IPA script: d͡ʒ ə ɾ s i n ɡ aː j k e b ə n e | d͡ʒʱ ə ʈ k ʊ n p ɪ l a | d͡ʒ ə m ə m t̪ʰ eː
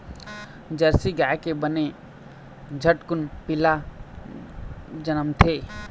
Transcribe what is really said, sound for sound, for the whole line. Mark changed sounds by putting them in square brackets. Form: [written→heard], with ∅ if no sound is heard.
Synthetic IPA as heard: d͡ʒ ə ɾ s i [n→∅] ɡ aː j k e b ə n e | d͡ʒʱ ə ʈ k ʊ n p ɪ l a | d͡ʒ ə [m→n] ə m t̪ʰ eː